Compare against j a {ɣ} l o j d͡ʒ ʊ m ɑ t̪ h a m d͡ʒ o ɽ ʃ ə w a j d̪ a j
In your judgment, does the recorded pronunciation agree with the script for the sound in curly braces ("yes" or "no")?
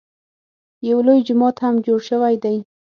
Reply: no